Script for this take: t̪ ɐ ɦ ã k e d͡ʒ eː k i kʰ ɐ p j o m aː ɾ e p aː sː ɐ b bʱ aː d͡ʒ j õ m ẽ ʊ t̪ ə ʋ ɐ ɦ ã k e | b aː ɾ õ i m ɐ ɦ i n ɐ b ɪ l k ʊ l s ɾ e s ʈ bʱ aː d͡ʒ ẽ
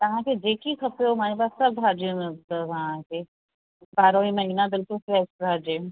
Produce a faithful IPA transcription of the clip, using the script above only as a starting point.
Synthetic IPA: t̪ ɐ ɦ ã k e d͡ʒ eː k i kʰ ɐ p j o m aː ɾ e p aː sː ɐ b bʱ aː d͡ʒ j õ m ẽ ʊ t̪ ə ʋ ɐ ɦ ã k e | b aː ɾ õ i m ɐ ɦ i n a b ɪ l k ʊ l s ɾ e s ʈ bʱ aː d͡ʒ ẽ

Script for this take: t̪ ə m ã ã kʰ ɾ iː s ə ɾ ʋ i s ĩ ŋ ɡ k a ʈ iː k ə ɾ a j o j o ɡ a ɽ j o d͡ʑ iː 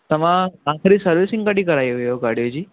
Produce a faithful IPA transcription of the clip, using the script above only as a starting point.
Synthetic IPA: t̪ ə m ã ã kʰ ɾ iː s ə ɾ ʋ i s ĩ ŋ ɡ k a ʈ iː k ə ɾ a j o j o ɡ a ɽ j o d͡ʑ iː

